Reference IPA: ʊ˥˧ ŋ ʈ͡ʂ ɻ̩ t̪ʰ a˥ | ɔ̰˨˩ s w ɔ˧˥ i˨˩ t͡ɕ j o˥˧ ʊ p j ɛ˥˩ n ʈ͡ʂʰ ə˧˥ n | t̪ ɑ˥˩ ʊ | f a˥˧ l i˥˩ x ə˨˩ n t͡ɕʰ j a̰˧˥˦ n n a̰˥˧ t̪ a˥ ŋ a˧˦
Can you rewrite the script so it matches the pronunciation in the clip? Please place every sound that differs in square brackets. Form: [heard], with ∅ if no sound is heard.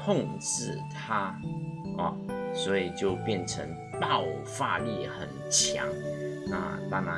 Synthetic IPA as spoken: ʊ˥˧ ŋ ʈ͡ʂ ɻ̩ t̪ʰ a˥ | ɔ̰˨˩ s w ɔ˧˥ i˨˩ t͡ɕ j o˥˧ ʊ p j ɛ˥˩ n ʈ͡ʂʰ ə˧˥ [ŋ] | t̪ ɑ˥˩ ʊ | f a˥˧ l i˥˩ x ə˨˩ n t͡ɕʰ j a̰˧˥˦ [ŋ] n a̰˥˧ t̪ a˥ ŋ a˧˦